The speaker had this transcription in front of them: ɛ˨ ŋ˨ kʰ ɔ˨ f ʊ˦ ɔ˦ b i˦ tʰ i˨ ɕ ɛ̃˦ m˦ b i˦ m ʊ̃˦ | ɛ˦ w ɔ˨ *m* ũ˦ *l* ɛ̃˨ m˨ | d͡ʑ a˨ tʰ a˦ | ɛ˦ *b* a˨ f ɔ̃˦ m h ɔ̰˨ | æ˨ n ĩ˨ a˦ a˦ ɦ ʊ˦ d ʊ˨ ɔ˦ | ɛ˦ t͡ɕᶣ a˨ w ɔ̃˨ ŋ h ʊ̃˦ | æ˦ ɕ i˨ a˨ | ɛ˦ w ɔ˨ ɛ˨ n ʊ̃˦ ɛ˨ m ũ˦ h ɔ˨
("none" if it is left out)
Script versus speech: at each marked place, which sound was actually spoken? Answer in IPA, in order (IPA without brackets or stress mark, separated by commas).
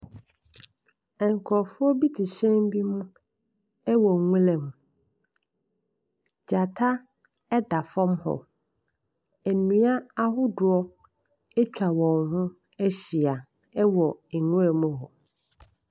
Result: ŋ, l, d